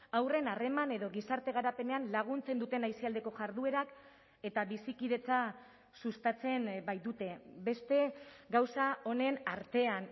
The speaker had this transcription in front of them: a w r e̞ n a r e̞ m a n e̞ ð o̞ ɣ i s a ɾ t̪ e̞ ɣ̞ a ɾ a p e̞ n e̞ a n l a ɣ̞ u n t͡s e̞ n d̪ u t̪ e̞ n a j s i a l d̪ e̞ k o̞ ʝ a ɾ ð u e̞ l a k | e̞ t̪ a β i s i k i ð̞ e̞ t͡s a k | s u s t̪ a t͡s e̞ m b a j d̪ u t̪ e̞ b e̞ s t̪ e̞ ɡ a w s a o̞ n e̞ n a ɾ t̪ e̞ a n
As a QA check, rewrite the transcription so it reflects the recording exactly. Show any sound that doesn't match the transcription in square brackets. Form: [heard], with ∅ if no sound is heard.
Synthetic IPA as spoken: a w r e̞ n a r e̞ m a n e̞ ð o̞ ɣ i s a ɾ t̪ e̞ ɣ̞ a ɾ a p e̞ n e̞ a n l a ɣ̞ u n t͡s e̞ n d̪ u t̪ e̞ n a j s i a l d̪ e̞ k o̞ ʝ a ɾ ð u e̞ [ɾ] a k | e̞ t̪ a β i s i k i ð̞ e̞ t͡s a [∅] | s u s t̪ a t͡s e̞ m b a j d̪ u t̪ e̞ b e̞ s t̪ e̞ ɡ a w s a o̞ n e̞ n a ɾ t̪ e̞ a n